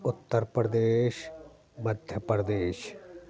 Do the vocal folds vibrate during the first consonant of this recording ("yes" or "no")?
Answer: no